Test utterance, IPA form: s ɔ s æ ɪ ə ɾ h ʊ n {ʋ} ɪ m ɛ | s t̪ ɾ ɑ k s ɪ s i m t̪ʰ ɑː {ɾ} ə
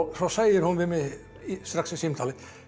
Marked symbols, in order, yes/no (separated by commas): yes, no